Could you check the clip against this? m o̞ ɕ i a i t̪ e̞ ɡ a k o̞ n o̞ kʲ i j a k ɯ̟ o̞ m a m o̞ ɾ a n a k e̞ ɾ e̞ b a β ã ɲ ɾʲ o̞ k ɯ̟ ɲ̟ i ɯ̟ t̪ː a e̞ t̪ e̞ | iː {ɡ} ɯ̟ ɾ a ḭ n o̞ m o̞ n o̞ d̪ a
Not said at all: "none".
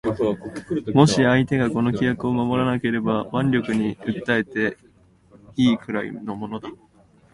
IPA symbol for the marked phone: k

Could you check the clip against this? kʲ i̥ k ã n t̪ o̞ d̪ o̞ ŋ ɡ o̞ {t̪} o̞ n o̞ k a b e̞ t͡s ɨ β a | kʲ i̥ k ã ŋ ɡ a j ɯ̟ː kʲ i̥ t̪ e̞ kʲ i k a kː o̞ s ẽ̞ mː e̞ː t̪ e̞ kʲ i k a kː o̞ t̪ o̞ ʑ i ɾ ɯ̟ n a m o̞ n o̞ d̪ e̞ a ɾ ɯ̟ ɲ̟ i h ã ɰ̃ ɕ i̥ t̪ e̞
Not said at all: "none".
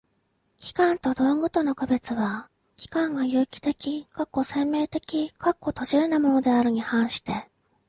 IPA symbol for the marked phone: t̪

